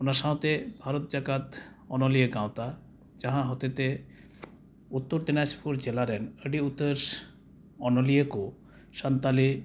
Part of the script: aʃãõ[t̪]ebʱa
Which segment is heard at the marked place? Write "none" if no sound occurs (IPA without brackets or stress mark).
t̪